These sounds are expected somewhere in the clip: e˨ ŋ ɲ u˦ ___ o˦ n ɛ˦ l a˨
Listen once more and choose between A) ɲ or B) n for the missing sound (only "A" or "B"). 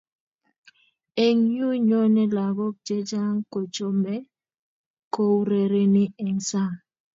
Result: A